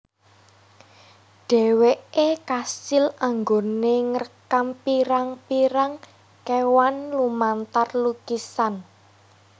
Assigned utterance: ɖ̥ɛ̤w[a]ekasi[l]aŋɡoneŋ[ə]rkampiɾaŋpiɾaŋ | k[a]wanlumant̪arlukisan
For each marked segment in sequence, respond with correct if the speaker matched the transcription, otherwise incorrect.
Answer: incorrect: e, correct, correct, incorrect: e

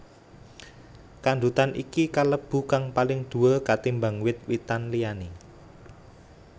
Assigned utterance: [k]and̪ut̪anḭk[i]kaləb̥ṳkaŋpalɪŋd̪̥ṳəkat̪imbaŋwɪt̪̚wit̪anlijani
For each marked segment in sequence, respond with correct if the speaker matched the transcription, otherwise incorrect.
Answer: correct, correct

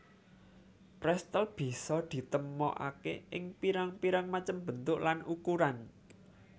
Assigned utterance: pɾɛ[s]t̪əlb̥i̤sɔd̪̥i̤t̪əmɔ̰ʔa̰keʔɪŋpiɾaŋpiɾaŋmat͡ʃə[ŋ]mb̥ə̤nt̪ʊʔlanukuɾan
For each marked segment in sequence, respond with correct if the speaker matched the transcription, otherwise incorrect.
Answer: correct, incorrect: none

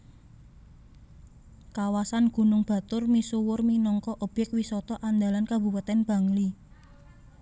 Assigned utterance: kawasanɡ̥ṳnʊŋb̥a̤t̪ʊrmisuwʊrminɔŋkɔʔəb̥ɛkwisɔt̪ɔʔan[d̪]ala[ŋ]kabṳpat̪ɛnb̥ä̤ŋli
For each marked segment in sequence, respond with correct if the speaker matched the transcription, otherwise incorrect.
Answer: correct, incorrect: n

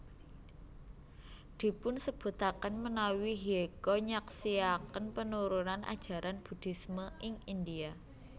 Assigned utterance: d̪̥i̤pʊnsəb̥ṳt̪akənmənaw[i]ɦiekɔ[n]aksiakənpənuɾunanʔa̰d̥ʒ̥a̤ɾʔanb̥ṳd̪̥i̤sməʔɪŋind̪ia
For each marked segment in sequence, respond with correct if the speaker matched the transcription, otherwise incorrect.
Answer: correct, incorrect: ɲ

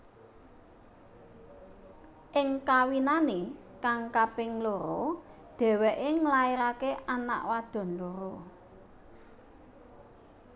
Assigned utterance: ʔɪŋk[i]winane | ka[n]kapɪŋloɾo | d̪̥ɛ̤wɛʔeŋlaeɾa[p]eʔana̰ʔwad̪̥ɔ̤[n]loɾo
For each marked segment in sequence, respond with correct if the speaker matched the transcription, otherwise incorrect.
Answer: incorrect: a, incorrect: ŋ, incorrect: k, correct

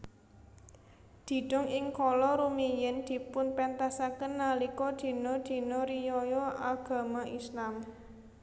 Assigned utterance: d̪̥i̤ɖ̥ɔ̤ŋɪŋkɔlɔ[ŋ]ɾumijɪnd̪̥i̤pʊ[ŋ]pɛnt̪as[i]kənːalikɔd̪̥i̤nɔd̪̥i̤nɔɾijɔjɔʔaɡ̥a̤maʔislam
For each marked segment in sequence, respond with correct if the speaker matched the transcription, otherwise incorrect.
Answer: incorrect: none, incorrect: n, incorrect: a

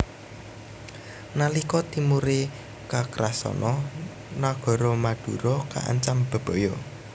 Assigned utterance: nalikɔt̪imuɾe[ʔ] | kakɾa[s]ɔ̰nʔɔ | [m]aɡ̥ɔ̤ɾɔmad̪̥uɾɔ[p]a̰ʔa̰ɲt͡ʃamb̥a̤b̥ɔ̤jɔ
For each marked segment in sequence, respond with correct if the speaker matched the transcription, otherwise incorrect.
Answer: incorrect: none, correct, incorrect: n, incorrect: k

